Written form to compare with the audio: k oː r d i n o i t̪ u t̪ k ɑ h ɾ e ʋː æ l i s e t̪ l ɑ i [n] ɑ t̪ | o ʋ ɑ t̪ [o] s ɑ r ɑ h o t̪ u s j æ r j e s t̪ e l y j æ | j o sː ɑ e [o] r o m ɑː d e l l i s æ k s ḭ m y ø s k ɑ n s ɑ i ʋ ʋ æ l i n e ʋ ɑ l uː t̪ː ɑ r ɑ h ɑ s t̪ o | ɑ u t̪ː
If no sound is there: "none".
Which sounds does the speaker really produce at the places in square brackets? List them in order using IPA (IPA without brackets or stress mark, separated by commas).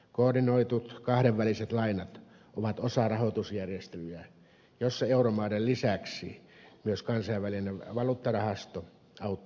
n, o, u